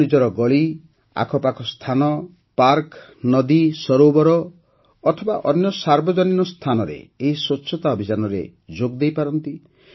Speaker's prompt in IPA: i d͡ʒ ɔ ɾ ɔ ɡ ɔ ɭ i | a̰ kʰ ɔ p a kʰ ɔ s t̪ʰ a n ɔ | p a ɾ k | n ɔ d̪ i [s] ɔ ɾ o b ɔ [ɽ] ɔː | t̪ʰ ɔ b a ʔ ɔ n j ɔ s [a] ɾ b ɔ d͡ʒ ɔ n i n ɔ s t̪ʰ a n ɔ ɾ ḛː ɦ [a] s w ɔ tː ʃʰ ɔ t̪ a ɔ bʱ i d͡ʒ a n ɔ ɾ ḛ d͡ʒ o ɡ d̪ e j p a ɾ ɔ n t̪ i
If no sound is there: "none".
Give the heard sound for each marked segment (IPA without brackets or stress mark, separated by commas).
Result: s, ɾ, a, i